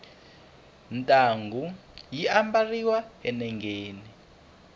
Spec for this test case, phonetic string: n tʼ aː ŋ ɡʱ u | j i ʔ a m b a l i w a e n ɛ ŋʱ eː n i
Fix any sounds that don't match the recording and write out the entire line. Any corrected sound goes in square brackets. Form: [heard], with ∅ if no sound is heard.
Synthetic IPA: n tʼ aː ŋ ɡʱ u | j i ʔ a m b a [r] i w a [ɛ] n ɛ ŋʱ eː n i